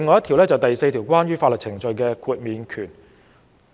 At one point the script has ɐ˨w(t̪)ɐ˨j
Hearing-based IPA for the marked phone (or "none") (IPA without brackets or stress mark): t̪